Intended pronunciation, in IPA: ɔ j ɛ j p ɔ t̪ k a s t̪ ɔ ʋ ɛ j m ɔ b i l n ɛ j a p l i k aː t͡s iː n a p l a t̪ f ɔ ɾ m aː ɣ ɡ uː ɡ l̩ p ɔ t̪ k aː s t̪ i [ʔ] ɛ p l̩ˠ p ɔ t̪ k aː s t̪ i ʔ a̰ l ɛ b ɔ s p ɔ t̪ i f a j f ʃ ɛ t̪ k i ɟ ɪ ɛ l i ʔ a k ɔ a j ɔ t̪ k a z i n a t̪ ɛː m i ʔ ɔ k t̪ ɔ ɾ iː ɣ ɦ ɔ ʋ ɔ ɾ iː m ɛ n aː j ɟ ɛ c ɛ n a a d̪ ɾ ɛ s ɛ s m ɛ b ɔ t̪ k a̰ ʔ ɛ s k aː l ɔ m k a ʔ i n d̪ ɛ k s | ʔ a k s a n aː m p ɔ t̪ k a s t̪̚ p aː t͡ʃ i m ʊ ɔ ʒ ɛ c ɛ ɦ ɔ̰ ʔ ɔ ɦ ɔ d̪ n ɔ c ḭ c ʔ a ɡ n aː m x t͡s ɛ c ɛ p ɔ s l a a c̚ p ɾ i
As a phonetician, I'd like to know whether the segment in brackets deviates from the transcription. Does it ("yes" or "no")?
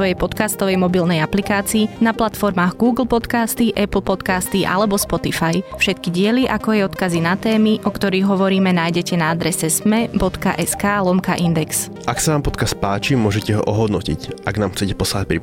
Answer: no